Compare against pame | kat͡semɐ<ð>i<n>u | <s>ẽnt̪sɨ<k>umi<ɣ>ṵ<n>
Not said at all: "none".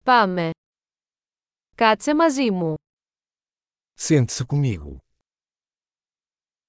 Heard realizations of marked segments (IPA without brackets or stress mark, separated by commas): z, m, s, k, ɣ, none